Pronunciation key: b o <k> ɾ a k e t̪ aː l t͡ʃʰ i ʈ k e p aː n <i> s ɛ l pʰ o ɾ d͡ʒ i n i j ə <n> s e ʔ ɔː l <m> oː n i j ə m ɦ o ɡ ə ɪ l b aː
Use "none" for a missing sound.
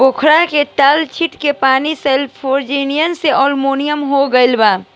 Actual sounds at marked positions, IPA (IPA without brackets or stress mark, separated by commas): kʰ, i, n, m